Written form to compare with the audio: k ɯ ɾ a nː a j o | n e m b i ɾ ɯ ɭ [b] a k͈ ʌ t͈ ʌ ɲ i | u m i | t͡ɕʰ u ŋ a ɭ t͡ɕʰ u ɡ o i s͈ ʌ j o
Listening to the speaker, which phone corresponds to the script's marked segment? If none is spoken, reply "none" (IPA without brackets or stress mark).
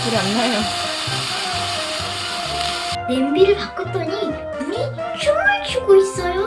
p